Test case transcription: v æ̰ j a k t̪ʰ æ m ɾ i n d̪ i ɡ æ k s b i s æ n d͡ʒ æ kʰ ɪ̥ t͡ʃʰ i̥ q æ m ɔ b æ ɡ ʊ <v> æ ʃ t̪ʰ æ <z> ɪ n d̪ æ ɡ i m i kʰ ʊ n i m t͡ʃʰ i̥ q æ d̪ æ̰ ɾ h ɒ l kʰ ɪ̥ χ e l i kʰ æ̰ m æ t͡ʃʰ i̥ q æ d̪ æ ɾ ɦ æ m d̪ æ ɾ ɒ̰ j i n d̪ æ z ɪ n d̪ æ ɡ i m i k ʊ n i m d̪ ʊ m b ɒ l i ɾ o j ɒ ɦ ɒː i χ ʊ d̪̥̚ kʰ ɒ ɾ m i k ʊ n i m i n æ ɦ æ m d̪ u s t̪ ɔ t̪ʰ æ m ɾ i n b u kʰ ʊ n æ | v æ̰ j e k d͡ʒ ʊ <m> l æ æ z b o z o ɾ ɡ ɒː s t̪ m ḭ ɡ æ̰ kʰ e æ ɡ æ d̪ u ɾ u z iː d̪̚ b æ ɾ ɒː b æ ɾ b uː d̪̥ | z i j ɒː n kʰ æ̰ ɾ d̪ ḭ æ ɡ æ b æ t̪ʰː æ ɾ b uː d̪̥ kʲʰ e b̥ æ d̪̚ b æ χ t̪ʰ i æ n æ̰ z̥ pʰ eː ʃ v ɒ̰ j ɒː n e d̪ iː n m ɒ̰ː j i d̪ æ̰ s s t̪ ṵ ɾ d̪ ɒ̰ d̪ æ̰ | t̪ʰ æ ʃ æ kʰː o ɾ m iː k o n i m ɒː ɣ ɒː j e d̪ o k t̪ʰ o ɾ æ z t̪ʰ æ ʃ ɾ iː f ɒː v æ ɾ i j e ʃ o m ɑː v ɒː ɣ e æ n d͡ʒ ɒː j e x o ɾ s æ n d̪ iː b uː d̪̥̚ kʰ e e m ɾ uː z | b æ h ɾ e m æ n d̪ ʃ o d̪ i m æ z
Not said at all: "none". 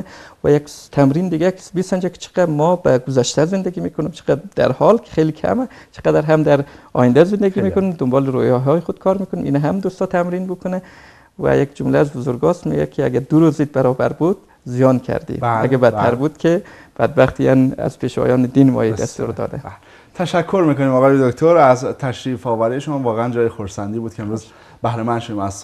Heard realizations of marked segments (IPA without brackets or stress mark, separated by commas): z, z, m